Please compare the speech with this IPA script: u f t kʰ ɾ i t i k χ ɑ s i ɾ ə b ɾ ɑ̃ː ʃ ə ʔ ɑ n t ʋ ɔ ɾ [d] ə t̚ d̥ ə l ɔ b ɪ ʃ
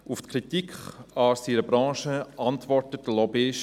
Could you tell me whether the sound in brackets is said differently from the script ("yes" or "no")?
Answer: yes